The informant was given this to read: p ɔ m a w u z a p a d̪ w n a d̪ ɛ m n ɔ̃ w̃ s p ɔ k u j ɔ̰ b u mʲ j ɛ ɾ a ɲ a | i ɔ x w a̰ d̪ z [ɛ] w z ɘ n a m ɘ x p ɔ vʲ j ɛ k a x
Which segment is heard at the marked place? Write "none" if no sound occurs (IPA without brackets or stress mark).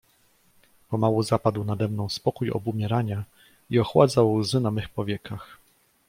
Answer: a